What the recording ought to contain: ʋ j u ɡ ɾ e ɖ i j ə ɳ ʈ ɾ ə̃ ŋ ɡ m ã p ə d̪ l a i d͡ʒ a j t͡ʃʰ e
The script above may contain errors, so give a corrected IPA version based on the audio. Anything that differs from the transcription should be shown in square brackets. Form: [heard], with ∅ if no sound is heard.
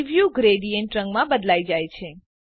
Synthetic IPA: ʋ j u ɡ ɾ e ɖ i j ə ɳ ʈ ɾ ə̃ ŋ ɡ m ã [b] ə d̪ l a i d͡ʒ a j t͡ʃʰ e